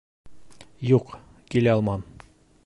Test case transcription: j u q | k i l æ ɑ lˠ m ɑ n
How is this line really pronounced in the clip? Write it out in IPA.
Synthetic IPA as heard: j u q | k i l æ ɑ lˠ m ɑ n